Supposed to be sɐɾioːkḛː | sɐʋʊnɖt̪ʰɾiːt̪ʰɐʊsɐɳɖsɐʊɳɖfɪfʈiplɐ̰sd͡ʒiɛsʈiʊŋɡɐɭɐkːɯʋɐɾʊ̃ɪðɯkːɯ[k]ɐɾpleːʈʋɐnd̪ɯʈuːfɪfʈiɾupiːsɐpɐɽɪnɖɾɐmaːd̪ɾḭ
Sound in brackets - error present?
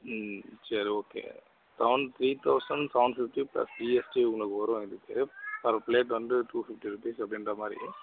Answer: yes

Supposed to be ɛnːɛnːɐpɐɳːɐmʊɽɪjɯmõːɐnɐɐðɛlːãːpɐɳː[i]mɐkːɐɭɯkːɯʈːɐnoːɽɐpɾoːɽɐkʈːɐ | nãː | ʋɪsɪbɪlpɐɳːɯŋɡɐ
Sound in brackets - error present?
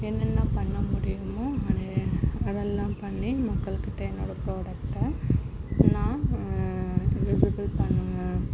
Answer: no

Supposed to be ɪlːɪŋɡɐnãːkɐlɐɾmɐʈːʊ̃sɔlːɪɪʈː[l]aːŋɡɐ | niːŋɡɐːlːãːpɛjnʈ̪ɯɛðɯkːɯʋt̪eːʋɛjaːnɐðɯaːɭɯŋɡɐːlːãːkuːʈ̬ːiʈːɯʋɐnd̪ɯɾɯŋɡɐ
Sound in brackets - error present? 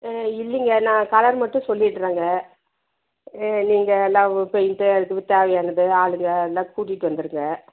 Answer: yes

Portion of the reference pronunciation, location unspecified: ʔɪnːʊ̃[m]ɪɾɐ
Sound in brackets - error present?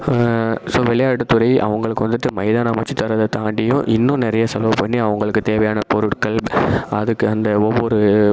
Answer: yes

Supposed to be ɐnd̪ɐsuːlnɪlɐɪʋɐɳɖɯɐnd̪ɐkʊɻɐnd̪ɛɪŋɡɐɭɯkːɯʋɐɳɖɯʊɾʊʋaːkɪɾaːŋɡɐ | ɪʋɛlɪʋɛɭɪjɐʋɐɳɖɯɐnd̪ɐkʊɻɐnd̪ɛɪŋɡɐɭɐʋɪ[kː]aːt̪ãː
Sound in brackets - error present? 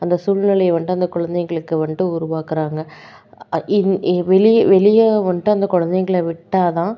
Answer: yes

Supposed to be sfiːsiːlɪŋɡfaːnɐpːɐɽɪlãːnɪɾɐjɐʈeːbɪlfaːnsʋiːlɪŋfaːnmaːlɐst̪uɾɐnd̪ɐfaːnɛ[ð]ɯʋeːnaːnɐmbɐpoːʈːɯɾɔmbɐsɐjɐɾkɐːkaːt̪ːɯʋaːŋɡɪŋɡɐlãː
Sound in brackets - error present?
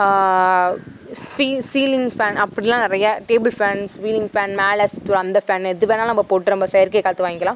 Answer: no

